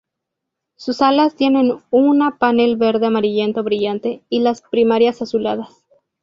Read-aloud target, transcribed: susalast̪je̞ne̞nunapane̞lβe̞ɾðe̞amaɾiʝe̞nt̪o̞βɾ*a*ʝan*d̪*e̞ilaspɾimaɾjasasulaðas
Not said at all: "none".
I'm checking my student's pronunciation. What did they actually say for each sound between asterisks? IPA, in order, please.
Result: i, t̪

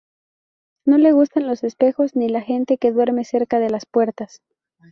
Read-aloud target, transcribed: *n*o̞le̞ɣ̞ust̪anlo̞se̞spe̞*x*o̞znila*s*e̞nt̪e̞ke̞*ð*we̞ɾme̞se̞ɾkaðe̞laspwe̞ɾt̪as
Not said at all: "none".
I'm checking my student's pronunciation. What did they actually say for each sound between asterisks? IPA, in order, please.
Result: n, x, x, ð

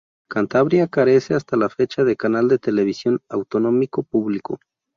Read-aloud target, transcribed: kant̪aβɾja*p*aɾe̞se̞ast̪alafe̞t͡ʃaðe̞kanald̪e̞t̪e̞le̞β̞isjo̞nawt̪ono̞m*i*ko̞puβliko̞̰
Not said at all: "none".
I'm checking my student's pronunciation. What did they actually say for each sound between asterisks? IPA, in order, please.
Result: k, i

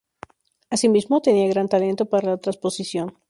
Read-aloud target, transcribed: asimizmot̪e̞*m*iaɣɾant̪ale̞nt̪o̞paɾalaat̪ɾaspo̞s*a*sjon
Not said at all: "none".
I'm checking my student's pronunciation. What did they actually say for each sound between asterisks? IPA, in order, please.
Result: n, i

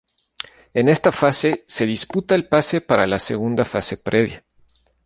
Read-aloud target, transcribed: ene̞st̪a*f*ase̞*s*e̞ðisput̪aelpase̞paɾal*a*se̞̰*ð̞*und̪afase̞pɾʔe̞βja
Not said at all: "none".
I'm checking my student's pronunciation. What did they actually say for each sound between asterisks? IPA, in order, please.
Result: f, s, a, ɣ̞

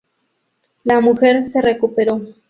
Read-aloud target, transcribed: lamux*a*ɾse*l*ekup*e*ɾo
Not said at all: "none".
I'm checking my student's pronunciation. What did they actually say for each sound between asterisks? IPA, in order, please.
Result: e, r, e

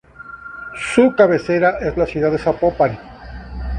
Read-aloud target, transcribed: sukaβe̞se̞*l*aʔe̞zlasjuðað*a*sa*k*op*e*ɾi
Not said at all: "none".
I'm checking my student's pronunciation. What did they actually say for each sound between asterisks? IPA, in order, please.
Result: ɾ, e, p, a

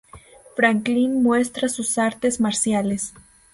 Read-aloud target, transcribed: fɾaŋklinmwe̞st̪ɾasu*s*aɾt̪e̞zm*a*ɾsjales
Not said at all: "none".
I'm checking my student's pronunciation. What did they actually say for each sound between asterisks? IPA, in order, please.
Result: s, a

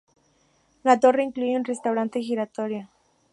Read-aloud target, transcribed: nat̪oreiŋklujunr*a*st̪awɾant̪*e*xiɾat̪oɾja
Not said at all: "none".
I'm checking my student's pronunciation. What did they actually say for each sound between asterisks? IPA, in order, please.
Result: e, e

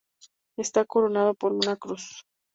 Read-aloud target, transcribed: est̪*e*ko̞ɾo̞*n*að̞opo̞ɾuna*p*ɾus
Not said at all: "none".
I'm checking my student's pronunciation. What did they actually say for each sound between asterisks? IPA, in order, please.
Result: a, n, k

